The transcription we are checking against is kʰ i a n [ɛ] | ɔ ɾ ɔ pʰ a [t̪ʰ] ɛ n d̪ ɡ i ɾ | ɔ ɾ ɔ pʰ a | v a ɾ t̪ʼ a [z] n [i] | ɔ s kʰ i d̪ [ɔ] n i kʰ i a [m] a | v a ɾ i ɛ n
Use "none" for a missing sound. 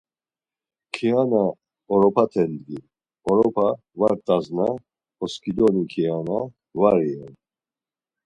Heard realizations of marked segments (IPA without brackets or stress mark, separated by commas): a, t̪ʰ, z, a, ɔ, n